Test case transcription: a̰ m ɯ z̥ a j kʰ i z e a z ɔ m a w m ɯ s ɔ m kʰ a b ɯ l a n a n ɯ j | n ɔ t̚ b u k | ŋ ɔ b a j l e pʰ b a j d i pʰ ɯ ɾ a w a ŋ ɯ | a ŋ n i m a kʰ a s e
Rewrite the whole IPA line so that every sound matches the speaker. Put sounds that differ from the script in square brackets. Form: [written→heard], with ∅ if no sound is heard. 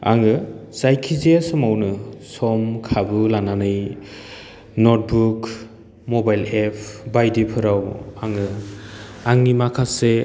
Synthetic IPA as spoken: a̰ [m→ŋ] ɯ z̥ a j kʰ i z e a [z→s] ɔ m a w [m→n] ɯ s ɔ m kʰ a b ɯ l a n a n ɯ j | n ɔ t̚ b u k | [ŋ→m] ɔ b a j l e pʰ b a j d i pʰ ɯ ɾ a w a ŋ ɯ | a ŋ n i m a kʰ a s e

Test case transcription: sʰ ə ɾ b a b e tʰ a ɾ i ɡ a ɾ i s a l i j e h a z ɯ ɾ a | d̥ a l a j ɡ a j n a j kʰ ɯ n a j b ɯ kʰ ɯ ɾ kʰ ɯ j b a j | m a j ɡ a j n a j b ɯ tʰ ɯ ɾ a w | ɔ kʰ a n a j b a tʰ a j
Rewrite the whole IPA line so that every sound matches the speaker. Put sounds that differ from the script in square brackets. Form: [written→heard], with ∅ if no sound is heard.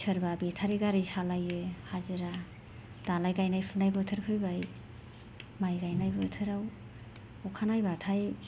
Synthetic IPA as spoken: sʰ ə ɾ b a b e tʰ a ɾ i ɡ a ɾ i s a l [i→a] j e h a z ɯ ɾ a | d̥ a l a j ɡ a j n a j [kʰ→pʰ] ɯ n a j b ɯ [kʰ→tʰ] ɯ ɾ kʰ ɯ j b a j | m a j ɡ a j n a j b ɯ tʰ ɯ ɾ a w | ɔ kʰ a n a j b a tʰ a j

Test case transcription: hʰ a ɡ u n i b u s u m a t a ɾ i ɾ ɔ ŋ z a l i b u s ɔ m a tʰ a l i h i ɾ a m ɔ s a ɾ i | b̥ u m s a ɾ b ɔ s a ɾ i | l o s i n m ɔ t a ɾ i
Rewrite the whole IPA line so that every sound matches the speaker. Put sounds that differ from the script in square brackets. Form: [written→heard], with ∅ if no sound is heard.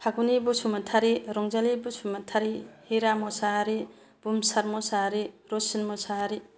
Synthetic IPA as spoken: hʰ a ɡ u n i b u s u m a [t→tʰ] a ɾ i ɾ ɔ ŋ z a l i b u s [ɔ→u] m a tʰ a [l→ɾ] i h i ɾ a m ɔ s a ɾ i | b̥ u m s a ɾ [b→m] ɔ s a ɾ i | [l→ɾ] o s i n m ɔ [t→s] a ɾ i

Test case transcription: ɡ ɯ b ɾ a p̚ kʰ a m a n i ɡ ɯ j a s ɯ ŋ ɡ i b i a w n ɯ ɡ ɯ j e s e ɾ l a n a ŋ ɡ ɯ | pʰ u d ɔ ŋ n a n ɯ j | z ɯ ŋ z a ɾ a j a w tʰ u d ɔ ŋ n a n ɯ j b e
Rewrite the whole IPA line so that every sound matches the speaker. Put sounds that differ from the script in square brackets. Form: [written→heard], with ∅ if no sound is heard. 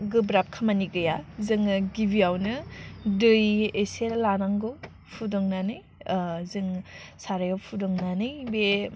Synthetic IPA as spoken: ɡ ɯ b ɾ a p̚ kʰ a m a n i ɡ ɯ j a [s→z] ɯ ŋ ɡ i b i a w n ɯ [ɡ→d] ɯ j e s e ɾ l a n a ŋ ɡ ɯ | pʰ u d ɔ ŋ n a n ɯ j | z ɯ ŋ [z→s] a ɾ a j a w [tʰ→pʰ] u d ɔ ŋ n a n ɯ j b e

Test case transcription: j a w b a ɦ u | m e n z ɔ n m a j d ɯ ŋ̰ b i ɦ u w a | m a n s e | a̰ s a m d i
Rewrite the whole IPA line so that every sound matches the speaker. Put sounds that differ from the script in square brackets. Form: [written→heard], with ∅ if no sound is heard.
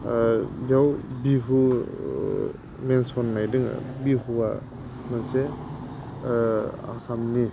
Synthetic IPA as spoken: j a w b [a→i] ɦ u | m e n [z→s] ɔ n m a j d ɯ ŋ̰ b i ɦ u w a | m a n s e | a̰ s a m [d→n] i

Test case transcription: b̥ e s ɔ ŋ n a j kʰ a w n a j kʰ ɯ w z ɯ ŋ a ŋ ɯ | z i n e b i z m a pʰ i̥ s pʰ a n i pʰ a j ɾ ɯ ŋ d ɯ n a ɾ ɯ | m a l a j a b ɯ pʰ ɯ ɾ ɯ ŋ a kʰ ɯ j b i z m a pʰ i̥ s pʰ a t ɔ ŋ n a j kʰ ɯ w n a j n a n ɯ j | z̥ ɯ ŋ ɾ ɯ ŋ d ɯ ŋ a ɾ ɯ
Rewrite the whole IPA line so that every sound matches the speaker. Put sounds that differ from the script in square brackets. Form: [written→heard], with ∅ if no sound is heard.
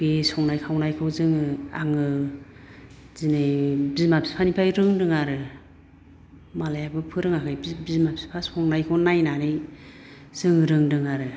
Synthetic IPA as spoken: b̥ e s ɔ ŋ n a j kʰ a w n a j kʰ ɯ w z ɯ ŋ a ŋ ɯ | z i n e b i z m a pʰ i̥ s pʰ a n i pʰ a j ɾ ɯ ŋ d ɯ [n→ŋ] a ɾ ɯ | m a l a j a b ɯ pʰ ɯ ɾ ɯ ŋ a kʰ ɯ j b i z m a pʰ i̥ s pʰ a [t→s] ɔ ŋ n a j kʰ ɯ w n a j n a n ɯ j | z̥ ɯ ŋ ɾ ɯ ŋ d ɯ ŋ a ɾ ɯ

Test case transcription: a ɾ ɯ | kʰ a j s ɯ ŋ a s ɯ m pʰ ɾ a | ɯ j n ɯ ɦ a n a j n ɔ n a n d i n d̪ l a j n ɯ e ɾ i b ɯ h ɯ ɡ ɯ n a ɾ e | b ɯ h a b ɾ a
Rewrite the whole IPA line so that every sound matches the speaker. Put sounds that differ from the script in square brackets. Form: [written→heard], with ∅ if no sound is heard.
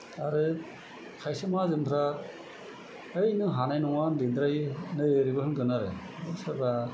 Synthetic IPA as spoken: a ɾ ɯ | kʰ a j s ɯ [ŋ→m] a [s→z] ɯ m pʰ ɾ a | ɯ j n ɯ ɦ a n a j n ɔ [n→ŋ] a n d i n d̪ [l→ɾ] a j n ɯ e ɾ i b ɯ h ɯ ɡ ɯ n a ɾ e | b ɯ [h→s] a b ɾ a

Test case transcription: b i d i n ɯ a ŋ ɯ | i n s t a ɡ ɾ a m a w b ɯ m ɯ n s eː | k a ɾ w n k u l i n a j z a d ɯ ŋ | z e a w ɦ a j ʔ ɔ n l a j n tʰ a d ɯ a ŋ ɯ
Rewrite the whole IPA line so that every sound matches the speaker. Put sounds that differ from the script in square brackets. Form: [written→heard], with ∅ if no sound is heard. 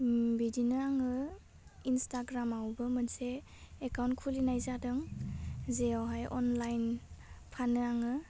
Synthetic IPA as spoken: b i d i n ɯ a ŋ ɯ | i n s t a ɡ ɾ a m a w b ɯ m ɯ n s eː | k a [ɾ→∅] w n [k→kʰ] u l i n a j z a d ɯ ŋ | z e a w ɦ a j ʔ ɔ n l a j n [tʰ→pʰ] a [d→n] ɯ a ŋ ɯ

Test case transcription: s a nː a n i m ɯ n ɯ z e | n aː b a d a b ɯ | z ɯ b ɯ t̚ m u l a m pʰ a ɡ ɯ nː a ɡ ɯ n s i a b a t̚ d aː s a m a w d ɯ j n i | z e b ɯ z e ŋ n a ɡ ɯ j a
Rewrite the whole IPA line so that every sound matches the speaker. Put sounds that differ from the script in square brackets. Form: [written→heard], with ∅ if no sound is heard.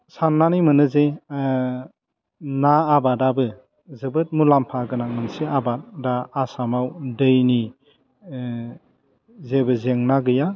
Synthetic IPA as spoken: s a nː a n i m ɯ n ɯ z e | n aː b a d a b ɯ | z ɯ b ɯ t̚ m u l a m pʰ a ɡ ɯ [nː→n] a [ɡ→ŋ] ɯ n s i a b a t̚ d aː s a m a w d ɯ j n i | z e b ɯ z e ŋ n a ɡ ɯ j a

